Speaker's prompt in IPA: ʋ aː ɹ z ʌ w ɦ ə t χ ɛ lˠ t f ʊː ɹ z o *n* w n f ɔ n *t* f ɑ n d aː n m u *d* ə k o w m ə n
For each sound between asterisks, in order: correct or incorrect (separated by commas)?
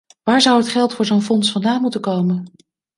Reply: incorrect, incorrect, incorrect